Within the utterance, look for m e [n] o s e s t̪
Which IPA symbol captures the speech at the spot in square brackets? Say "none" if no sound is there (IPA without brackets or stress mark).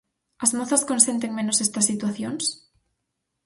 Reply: n